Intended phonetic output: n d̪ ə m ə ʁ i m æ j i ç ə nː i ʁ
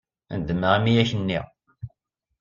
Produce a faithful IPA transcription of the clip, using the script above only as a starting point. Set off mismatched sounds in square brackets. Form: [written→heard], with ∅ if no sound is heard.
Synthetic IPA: n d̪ ə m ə ʁ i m [æ→i] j [i→æ] ç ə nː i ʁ